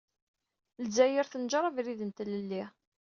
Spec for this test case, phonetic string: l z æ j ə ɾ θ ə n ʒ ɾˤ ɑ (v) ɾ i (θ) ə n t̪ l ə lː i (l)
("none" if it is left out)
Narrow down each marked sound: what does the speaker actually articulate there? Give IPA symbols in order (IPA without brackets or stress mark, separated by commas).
v, ð, none